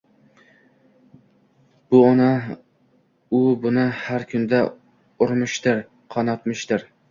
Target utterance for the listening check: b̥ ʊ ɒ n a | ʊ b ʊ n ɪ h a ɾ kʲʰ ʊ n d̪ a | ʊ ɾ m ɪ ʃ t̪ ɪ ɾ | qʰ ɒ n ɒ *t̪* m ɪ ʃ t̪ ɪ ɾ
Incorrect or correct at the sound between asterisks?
correct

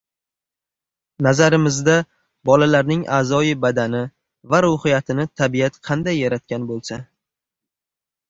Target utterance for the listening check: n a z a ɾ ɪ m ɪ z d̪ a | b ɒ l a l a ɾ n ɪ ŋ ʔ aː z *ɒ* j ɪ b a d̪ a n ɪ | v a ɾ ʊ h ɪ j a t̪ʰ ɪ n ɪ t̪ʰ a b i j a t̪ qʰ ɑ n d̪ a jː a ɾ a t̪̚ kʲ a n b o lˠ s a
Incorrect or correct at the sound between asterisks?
correct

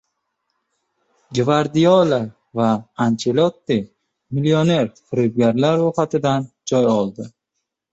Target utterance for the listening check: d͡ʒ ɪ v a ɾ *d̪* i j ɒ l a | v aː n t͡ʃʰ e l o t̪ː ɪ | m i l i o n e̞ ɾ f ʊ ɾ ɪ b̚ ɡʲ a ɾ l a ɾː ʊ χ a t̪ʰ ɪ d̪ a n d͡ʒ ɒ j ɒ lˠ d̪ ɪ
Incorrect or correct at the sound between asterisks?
correct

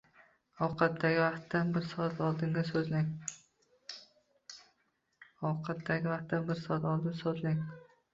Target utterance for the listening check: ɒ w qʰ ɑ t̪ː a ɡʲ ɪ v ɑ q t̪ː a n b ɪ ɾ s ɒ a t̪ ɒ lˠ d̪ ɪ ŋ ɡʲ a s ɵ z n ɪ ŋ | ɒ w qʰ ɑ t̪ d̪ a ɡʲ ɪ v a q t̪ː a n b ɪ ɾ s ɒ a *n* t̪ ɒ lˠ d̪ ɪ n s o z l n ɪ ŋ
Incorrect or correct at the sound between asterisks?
incorrect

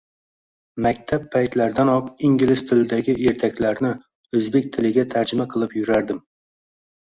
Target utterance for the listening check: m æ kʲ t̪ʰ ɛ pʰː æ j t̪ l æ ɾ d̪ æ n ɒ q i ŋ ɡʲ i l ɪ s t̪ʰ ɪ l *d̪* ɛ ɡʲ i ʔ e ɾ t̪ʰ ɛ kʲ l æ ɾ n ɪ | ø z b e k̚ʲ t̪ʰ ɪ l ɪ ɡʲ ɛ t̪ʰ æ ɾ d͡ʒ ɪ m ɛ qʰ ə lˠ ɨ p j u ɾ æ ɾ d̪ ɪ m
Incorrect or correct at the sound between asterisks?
correct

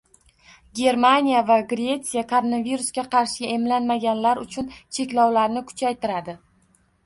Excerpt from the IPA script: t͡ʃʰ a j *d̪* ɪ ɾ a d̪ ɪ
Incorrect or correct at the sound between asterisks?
incorrect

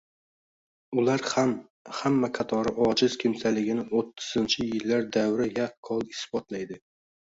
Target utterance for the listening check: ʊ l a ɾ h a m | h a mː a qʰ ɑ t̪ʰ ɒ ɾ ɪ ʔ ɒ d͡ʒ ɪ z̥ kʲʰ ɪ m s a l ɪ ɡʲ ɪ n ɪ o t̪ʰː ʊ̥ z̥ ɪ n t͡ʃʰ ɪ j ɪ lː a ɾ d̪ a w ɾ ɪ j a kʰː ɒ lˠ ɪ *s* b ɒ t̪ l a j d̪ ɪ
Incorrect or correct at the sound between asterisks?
correct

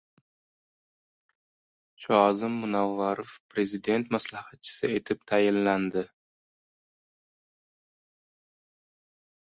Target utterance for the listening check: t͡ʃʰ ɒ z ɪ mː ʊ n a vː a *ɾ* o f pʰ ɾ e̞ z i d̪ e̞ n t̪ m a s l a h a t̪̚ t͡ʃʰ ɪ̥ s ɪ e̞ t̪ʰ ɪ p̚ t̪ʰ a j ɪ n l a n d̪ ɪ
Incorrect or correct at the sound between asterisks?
correct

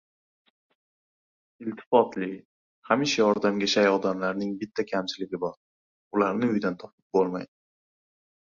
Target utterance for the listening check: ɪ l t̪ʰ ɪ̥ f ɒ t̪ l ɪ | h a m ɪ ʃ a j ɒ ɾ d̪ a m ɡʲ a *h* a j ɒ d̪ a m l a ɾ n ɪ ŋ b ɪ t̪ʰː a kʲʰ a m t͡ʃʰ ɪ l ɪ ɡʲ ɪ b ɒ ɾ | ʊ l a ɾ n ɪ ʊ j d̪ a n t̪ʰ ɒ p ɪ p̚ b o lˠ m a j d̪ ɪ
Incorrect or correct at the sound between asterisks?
incorrect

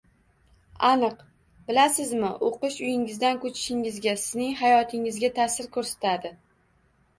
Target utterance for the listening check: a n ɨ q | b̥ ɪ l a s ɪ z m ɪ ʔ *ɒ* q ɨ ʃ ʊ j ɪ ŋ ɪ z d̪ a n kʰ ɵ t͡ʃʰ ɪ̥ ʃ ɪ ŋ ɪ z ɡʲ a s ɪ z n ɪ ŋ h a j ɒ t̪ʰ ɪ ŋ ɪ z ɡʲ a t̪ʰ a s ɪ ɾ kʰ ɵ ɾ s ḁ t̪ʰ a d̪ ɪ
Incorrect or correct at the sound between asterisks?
incorrect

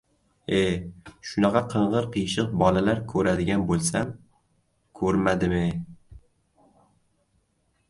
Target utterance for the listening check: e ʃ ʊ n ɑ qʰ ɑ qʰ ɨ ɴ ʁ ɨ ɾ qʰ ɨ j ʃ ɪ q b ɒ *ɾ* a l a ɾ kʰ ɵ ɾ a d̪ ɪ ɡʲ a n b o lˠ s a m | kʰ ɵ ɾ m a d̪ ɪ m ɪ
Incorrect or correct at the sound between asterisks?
incorrect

